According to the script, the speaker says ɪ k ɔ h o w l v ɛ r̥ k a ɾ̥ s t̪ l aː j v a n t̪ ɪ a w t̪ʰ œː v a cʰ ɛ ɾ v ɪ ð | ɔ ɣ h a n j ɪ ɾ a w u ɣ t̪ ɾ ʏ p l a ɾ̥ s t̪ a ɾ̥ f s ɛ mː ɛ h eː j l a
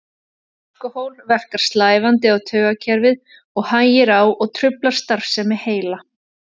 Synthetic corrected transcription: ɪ k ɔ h o w l v ɛ r̥ k a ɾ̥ s t̪ l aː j v a n t̪ ɪ a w t̪ʰ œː ɣ a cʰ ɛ ɾ v ɪ ð | ɔ ɣ h a n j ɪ ɾ a w ɔ ɣ t̪ʰ ɾ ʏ p l a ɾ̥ s t̪ a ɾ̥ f s ɛ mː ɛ h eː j l a